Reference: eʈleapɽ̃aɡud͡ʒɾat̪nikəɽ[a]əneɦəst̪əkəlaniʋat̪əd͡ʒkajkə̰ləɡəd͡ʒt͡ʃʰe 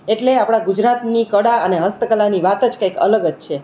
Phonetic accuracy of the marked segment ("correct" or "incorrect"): correct